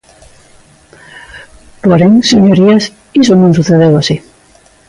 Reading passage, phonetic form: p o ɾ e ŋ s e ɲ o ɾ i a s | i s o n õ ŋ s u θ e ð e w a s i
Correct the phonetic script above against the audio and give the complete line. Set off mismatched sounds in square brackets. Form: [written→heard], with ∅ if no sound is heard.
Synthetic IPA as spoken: p o ɾ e ŋ s e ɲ o ɾ i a s | i s o n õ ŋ s u θ e ð e w a s i